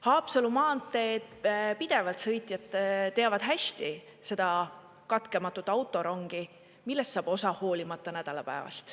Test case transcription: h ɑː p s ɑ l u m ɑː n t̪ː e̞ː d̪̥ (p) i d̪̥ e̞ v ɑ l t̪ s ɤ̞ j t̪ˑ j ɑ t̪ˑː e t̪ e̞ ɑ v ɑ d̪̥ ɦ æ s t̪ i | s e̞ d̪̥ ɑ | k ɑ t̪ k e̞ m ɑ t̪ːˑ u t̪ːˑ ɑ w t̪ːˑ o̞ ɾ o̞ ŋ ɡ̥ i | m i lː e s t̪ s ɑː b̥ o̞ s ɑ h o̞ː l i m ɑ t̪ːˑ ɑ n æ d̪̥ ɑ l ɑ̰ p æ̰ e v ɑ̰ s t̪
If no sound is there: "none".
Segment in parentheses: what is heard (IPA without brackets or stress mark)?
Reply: p